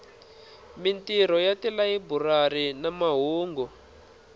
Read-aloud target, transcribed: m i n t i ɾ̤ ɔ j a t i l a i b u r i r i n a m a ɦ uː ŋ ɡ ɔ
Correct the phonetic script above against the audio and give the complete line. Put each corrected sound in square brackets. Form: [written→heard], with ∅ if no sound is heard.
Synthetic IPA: m i n t i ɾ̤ ɔ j a t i l a i b u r [i→a] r i n a m a ɦ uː ŋ ɡ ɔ